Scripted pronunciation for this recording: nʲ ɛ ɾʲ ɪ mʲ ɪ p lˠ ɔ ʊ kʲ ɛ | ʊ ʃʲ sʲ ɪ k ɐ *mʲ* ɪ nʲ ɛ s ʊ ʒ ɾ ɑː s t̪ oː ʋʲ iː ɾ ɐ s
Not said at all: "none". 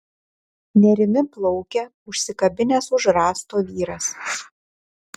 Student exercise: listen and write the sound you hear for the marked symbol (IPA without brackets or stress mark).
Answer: bʲ